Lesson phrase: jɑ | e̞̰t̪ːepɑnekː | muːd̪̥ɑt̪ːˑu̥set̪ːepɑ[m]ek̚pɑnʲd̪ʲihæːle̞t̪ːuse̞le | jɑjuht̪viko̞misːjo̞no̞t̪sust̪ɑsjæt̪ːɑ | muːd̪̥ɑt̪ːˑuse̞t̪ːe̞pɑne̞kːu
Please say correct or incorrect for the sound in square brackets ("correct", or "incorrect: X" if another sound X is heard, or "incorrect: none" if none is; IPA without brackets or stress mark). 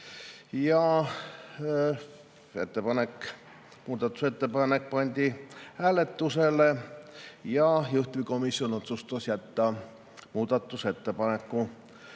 incorrect: n